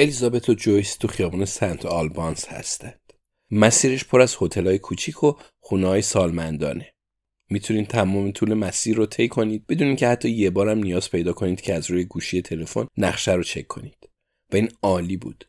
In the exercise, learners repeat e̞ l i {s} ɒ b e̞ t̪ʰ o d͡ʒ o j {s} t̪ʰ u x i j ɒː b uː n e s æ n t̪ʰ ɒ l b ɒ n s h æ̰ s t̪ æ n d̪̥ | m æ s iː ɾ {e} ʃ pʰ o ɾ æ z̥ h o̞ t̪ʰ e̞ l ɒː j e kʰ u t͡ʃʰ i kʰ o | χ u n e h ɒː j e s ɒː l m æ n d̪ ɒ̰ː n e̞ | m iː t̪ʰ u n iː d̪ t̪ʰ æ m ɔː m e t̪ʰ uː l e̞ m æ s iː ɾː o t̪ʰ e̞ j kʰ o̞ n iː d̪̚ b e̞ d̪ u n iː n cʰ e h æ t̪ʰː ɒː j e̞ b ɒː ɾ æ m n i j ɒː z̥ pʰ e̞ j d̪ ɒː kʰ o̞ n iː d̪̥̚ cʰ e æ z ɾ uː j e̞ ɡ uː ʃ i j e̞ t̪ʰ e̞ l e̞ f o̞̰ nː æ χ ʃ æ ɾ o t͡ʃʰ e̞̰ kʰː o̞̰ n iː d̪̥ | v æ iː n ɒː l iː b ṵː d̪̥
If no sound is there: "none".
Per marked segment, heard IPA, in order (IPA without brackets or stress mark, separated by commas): z, s, e